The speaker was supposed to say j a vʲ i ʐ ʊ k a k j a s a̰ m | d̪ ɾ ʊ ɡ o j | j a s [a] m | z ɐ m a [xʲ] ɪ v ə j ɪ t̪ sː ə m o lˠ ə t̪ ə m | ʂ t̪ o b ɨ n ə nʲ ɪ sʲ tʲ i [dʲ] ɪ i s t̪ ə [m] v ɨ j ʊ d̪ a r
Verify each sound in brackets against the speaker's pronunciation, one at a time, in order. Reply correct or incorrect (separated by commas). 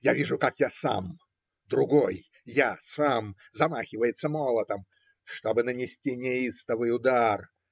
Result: correct, correct, incorrect, incorrect